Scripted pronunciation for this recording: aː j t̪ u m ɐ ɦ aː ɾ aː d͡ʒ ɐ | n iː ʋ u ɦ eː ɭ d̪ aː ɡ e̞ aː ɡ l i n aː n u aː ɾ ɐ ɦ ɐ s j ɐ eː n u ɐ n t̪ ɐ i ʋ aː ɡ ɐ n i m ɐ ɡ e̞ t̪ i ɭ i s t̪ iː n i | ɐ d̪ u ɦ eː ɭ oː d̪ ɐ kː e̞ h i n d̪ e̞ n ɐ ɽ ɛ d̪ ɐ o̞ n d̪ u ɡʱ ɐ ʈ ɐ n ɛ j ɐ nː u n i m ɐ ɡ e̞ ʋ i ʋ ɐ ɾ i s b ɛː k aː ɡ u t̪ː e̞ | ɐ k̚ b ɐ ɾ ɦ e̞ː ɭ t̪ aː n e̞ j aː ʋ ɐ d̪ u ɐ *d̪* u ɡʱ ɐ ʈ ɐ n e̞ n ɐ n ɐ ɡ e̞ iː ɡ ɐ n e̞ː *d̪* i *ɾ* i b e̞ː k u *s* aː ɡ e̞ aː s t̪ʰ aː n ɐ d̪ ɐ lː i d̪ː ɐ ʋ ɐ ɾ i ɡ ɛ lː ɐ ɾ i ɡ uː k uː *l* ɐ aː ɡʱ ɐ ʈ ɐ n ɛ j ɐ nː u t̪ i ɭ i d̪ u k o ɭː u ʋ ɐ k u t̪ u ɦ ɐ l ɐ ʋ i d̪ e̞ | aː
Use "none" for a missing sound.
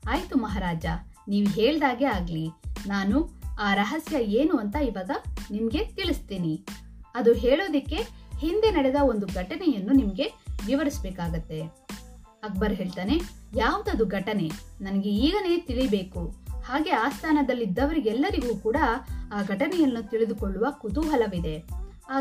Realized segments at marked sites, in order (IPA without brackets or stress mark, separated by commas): d̪, t̪, ɭ, h, ɽ